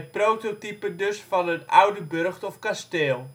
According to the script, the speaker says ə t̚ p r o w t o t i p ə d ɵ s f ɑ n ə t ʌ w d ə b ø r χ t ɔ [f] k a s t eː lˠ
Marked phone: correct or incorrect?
correct